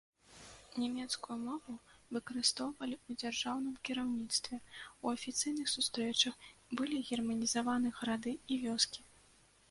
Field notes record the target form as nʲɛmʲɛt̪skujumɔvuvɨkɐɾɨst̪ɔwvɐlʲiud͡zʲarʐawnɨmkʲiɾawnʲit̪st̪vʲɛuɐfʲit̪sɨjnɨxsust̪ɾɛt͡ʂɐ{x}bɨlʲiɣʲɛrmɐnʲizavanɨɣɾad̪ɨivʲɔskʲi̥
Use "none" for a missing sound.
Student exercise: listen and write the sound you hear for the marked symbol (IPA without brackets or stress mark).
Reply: x